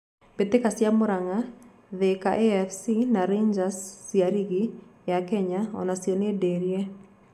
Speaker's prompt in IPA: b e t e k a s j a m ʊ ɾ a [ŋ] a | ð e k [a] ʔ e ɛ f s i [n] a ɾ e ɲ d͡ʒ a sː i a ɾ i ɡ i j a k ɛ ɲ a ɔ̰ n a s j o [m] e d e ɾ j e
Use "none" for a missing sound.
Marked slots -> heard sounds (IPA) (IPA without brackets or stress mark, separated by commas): ŋ, a, n, n